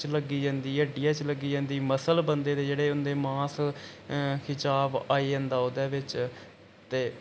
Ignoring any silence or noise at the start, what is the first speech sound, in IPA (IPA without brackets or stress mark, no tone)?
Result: t͡ʃ